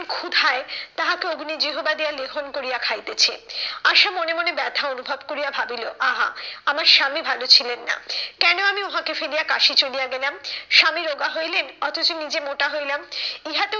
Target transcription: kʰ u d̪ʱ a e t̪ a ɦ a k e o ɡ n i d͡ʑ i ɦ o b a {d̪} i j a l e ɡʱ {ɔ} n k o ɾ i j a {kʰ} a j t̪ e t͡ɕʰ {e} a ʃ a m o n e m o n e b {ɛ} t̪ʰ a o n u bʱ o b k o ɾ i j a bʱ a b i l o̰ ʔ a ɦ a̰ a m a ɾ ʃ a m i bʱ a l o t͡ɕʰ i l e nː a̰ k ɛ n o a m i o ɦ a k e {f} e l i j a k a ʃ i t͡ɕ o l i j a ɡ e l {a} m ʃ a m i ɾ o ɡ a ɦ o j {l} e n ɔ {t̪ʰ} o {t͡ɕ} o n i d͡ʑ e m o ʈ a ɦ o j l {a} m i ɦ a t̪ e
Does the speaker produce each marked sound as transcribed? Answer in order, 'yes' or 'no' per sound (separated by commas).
yes, no, yes, yes, yes, yes, yes, yes, yes, yes, yes